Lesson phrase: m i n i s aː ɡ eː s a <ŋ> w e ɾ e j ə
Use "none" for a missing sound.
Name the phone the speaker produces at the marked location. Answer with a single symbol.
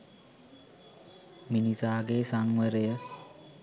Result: ŋ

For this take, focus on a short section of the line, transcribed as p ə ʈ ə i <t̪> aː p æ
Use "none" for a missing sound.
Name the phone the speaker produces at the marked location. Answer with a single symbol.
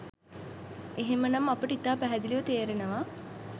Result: t̪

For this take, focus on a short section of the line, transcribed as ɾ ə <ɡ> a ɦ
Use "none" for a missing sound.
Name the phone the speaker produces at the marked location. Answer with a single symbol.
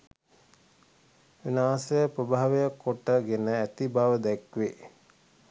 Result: b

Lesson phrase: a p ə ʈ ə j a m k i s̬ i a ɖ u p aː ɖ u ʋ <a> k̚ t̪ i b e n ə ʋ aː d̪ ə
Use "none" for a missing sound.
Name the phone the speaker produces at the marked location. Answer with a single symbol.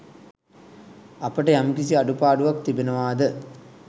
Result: a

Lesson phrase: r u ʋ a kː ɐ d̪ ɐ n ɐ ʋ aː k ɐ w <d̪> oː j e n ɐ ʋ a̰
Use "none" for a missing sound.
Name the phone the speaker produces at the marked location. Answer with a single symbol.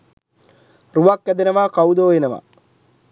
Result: d̪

